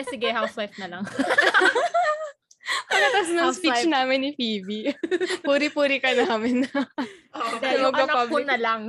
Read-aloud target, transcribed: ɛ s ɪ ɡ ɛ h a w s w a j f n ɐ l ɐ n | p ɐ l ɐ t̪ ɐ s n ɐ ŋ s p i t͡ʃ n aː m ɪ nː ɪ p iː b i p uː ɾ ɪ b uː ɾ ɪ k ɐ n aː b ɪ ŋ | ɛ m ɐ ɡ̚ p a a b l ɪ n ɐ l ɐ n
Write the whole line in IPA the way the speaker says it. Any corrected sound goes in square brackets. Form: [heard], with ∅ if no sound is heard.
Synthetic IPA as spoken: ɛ s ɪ ɡ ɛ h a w s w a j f n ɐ l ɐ [ŋ] | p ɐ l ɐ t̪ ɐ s n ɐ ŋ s p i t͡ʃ n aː m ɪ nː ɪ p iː b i p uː ɾ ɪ [p] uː ɾ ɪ k ɐ n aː [m] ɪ [n] | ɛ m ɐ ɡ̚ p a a b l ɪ n ɐ l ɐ [ŋ]